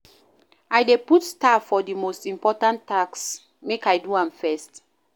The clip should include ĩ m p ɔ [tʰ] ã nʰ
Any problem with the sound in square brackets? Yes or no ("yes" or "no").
yes